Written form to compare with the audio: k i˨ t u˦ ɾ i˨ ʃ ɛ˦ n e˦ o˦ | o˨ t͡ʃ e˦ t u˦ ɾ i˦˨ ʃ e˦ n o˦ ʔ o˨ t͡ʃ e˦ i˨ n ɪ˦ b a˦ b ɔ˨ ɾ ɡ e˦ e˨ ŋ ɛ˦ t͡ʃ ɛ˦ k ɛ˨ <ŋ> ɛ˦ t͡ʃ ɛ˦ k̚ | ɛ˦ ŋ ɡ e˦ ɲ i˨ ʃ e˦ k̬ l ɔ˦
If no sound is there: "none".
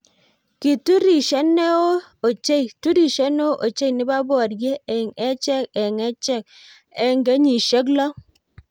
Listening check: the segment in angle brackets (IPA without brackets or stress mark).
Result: ŋ